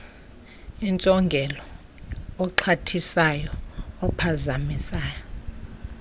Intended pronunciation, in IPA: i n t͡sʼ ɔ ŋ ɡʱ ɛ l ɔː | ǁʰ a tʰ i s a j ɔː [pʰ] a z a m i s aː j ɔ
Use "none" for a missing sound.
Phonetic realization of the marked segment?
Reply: pʰ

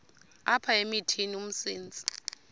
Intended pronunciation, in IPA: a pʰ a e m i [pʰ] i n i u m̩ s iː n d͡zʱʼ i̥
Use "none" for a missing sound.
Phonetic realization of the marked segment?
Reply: tʰ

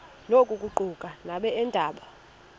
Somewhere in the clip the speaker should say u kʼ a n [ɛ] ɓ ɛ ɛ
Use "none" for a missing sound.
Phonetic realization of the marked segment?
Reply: a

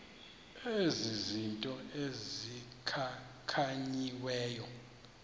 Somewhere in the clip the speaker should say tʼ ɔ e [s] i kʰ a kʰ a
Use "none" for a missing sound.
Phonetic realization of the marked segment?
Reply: z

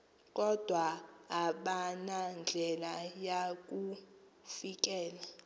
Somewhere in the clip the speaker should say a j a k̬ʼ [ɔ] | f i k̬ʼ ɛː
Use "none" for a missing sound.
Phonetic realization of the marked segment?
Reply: u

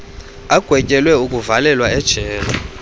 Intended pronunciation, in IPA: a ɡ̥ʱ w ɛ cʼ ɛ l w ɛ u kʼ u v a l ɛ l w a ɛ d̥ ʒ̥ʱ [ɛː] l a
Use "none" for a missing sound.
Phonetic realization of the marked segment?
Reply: ɛː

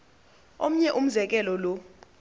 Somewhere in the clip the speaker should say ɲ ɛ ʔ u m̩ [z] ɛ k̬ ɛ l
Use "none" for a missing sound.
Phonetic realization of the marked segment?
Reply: z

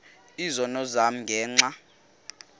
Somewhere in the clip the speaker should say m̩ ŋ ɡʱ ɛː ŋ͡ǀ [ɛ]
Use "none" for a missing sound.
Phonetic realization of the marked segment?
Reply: a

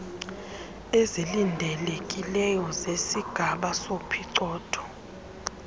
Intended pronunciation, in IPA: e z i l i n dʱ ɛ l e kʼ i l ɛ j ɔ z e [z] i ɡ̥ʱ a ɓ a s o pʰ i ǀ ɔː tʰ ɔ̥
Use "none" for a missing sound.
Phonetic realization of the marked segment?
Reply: s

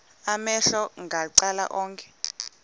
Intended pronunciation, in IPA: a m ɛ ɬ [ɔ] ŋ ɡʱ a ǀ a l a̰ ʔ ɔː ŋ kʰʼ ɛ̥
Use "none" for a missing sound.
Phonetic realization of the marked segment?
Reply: ɔ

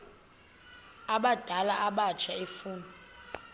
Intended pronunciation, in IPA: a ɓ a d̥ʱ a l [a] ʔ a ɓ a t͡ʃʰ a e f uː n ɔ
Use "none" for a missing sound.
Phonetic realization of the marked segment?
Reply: a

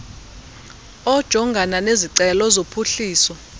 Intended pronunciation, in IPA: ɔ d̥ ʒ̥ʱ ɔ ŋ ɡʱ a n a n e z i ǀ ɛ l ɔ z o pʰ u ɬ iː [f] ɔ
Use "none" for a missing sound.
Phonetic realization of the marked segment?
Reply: s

